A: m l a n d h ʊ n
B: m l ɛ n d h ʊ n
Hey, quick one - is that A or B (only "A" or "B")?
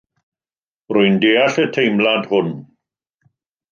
A